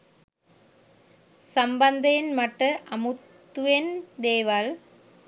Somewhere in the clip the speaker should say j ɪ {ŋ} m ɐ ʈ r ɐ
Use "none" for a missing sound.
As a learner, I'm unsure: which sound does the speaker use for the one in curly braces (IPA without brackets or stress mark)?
n